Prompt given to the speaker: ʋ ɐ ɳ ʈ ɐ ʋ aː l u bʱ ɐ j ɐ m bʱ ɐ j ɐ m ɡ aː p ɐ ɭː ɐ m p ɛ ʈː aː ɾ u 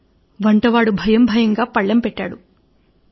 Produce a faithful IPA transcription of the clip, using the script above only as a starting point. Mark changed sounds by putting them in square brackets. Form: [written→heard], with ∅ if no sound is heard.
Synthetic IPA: ʋ ɐ ɳ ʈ ɐ ʋ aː [l→ɽ] u bʱ ɐ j ɐ m bʱ ɐ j ɐ [m→ŋ] ɡ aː p ɐ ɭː ɐ m p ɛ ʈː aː [ɾ→ɽ] u